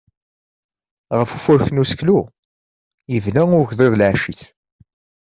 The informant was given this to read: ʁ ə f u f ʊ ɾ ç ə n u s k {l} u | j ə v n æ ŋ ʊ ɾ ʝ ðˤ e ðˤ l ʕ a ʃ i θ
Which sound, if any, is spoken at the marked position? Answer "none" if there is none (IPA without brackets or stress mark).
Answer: l